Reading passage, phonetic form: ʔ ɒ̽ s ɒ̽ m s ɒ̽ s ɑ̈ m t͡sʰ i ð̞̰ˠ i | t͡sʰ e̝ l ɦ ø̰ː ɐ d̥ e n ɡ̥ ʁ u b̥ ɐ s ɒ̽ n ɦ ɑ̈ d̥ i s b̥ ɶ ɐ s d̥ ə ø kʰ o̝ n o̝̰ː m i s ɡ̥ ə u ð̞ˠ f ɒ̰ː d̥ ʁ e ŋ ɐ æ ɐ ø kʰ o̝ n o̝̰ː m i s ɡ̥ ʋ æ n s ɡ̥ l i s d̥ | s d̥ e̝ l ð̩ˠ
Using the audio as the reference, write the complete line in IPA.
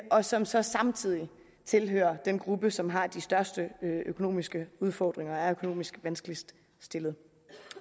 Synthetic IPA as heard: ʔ ɒ̽ s ɒ̽ m s ɒ̽ s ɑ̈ m t͡sʰ i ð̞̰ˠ i | t͡sʰ e̝ l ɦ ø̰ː ɐ d̥ e n ɡ̥ ʁ u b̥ ə s ɒ̽ m ɦ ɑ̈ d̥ i s d̥ ɶ ɐ s d̥ ə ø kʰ o̝ n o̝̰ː m i s ɡ̥ ə u ð̞ˠ f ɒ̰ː d̥ ʁ e ŋ ɐ æ ɐ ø kʰ o̝ n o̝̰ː m i s ɡ̥ ʋ æ n s ɡ̥ l i s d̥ | s d̥ e̝ l ð̩ˠ